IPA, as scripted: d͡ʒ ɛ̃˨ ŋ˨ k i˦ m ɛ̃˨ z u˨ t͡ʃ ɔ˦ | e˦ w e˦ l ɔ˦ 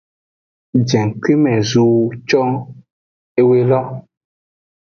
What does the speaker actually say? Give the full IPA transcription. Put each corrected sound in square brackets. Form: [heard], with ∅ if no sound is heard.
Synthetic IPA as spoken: d͡ʒ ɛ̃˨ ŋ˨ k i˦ m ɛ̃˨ z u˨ t͡ʃ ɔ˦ | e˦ w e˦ l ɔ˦